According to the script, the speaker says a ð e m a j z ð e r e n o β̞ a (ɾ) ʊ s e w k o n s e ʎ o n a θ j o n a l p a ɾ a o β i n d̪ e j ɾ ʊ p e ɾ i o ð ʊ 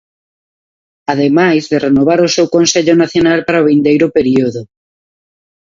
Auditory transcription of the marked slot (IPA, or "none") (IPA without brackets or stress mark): ɾ